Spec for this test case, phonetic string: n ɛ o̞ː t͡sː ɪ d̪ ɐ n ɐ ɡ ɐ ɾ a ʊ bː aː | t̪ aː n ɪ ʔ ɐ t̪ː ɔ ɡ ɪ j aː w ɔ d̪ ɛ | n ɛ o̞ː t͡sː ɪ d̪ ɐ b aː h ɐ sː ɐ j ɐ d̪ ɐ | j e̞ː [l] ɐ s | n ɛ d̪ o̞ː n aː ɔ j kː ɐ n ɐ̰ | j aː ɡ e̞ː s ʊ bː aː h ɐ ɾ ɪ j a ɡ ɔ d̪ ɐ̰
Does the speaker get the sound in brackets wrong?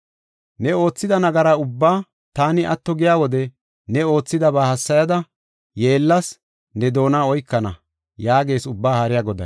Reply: yes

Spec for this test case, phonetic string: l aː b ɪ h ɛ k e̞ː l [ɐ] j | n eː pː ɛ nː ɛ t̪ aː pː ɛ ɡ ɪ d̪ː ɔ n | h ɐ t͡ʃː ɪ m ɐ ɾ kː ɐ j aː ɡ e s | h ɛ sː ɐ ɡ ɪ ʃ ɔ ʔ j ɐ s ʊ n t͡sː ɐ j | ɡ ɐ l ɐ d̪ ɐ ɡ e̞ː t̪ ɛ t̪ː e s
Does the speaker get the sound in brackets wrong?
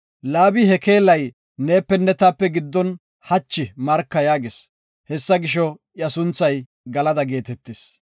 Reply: no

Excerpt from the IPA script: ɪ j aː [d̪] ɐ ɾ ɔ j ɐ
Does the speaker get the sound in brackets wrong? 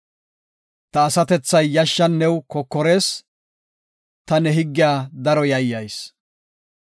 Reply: no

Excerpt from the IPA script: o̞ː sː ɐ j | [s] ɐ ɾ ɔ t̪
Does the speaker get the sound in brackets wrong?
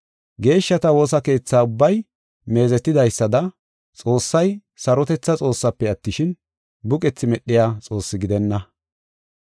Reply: no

